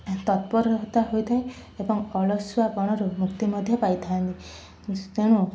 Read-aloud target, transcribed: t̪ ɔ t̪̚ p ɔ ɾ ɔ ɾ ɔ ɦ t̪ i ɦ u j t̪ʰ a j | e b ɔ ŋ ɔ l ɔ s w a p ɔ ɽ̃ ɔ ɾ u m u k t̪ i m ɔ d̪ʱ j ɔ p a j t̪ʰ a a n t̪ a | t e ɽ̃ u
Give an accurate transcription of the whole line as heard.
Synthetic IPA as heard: t̪ ɔ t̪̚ p ɔ ɾ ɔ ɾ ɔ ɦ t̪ a ɦ o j t̪ʰ a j | e b ɔ ŋ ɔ l ɔ s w a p ɔ ɽ̃ ɔ ɾ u m u k t̪ i m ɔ d̪ʱ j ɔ p a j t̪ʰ a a n t̪ i | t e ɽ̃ u